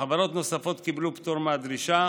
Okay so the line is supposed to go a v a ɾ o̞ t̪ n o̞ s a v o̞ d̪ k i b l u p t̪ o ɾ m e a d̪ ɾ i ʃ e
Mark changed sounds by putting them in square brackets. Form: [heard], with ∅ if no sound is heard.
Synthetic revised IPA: a v a ɾ o̞ t̪ n o̞ s a [f] o̞ [t̪] k i b l u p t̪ o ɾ m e a d̪ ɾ i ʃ [a]